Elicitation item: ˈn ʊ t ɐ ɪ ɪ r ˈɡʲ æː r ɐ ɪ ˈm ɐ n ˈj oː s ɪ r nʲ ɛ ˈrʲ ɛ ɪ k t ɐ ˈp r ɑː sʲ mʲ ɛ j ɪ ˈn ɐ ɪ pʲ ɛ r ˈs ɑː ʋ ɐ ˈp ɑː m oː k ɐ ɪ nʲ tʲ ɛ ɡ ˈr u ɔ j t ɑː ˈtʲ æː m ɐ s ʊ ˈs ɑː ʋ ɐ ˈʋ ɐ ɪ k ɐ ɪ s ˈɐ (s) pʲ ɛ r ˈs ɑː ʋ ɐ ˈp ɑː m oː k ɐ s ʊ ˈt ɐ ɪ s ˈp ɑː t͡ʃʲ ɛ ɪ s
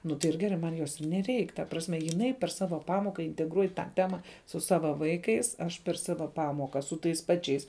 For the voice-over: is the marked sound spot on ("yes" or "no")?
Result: no